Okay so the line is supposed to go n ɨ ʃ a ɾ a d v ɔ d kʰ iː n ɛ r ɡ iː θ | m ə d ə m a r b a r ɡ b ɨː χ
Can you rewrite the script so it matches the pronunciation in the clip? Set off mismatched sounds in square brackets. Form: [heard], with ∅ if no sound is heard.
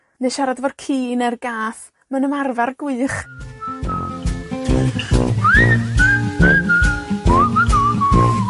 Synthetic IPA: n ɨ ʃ a ɾ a d v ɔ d kʰ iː n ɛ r ɡ [aː] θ | m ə [n] ə m a r [v] a r ɡ [w] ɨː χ